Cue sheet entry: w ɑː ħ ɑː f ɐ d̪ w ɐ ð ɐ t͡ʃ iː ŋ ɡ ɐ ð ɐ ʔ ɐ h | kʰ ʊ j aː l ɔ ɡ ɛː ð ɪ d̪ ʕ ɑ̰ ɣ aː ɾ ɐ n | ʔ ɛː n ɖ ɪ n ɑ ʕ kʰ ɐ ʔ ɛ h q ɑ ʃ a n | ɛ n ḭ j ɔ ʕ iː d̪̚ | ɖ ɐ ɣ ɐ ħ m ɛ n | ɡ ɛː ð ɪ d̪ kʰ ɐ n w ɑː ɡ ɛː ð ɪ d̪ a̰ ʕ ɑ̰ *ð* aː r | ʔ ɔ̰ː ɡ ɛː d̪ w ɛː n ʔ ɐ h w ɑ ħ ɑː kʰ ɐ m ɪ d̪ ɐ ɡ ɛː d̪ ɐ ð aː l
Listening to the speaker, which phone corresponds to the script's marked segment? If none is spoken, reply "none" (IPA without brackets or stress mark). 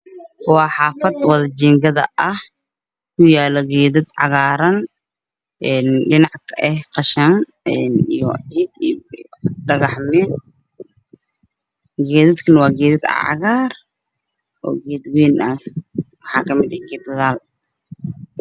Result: ɣ